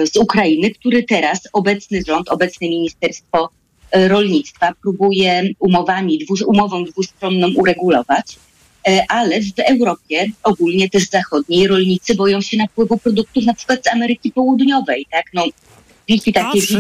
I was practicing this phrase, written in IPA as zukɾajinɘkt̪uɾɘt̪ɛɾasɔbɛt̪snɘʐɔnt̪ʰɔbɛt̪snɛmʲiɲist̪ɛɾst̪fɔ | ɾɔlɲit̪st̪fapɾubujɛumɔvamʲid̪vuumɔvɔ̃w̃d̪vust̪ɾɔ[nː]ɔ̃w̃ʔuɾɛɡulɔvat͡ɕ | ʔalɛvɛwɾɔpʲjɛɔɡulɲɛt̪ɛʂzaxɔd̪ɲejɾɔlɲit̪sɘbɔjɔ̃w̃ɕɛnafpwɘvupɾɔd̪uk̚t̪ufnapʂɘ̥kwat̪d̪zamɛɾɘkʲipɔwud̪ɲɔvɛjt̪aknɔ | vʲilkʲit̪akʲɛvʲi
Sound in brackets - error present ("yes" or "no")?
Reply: no